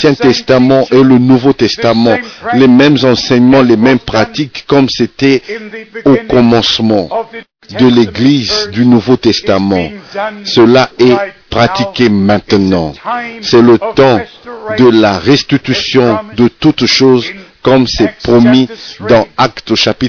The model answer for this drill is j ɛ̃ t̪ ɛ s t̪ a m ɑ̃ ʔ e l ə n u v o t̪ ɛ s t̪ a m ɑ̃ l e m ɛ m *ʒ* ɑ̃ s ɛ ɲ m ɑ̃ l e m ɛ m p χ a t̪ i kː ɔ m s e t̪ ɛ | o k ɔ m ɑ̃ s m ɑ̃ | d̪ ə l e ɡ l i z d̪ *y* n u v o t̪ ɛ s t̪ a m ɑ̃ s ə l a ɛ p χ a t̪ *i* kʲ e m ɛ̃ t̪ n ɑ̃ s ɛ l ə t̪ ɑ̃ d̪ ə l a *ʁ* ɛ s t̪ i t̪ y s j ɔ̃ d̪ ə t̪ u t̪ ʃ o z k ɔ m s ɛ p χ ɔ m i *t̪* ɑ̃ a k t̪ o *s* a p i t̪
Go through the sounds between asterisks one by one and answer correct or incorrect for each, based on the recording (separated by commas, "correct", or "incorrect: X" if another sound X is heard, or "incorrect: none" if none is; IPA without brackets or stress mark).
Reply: incorrect: z, correct, correct, correct, incorrect: d̪, incorrect: ʃ